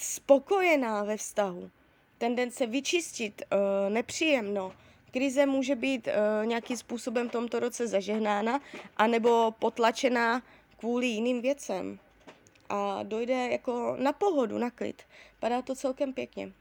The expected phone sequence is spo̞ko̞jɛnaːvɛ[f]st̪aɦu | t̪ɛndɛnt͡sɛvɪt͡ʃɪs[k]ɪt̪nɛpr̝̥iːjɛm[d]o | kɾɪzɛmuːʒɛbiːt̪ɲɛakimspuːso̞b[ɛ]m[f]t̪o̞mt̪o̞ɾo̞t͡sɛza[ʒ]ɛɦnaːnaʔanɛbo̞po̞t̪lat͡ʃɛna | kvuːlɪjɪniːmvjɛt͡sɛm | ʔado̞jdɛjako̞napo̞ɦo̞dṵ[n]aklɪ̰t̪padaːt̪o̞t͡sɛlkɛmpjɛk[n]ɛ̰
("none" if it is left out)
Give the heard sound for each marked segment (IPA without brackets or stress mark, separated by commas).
f, c, n, ɛ, f, ʒ, n, ɲ